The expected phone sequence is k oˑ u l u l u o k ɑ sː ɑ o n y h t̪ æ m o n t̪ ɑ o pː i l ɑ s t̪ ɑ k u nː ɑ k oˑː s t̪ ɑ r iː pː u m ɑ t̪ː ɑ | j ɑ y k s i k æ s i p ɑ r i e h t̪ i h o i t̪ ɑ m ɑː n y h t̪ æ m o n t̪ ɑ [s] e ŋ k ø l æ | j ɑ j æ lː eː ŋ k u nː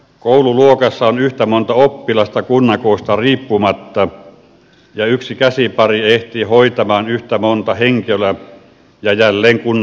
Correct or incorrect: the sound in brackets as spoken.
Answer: incorrect: h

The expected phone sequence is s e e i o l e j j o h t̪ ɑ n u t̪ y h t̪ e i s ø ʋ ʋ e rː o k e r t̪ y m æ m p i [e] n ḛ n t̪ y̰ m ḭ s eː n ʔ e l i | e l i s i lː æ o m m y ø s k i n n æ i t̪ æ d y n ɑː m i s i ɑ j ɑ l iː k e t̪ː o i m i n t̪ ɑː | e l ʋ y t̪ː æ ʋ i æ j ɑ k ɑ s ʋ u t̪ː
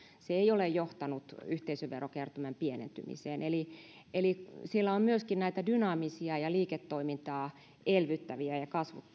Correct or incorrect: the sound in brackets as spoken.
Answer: correct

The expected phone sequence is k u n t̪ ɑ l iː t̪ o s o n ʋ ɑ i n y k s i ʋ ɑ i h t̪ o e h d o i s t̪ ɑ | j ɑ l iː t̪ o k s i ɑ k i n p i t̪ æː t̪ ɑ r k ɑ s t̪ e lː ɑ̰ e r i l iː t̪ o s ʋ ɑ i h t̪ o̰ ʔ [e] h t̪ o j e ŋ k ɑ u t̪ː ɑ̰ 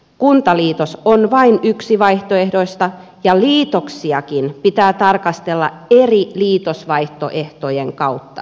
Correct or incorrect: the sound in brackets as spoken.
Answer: correct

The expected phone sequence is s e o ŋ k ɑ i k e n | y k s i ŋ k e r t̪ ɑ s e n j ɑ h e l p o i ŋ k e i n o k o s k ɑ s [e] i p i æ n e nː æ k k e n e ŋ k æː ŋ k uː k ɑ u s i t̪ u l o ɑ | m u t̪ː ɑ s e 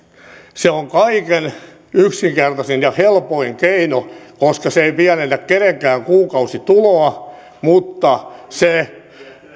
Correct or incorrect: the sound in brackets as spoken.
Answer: correct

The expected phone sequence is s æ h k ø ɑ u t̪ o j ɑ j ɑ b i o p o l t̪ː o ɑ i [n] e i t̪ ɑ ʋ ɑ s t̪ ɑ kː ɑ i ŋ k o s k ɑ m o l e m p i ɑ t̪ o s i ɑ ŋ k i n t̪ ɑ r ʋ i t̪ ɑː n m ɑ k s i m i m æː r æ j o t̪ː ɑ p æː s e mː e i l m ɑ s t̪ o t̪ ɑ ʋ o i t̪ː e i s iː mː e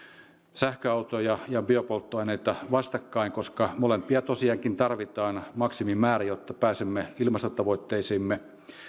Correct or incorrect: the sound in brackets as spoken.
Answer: correct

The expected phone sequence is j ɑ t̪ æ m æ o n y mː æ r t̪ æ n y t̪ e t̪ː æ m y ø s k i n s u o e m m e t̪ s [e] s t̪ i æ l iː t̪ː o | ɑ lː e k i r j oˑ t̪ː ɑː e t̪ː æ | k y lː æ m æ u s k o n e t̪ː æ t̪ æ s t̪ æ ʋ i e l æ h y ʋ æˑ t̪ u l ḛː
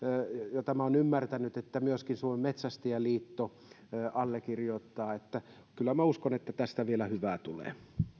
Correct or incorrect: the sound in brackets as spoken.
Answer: incorrect: æ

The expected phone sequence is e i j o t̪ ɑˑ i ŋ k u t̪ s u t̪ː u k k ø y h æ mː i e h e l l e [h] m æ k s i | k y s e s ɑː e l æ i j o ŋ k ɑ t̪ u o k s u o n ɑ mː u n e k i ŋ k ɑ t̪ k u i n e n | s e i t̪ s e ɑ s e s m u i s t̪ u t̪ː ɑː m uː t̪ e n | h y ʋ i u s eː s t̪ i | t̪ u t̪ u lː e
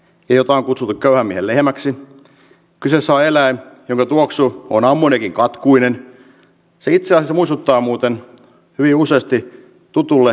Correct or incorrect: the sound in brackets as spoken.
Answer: correct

